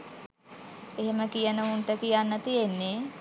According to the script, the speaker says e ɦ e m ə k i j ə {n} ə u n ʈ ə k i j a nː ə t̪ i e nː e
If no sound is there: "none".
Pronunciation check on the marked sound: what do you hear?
n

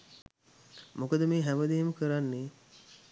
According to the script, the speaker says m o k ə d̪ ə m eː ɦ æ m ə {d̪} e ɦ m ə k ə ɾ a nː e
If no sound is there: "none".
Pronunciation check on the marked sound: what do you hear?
d̪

